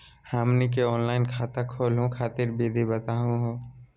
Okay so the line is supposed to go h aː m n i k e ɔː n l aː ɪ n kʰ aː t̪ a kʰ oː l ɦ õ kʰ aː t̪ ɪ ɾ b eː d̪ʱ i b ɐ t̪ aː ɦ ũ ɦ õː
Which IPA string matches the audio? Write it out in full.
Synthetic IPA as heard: h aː m n i k e ɔː n l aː ɪ n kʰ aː t̪ a kʰ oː l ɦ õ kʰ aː t̪ ɪ ɾ b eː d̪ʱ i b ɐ t̪ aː ɦ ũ ɦ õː